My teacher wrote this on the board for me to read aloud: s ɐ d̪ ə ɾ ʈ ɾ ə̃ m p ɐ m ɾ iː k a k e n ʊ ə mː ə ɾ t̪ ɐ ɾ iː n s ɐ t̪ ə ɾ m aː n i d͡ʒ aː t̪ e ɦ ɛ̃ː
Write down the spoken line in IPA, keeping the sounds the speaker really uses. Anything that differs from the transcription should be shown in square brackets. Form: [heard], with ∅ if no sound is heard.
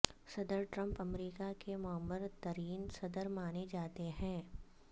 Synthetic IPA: s ɐ d̪ ə ɾ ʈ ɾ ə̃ m p ɐ m ɾ iː k a k e [m] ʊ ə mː ə ɾ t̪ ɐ ɾ iː n s ɐ [d̪] ə ɾ m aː n [e] d͡ʒ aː t̪ e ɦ ɛ̃ː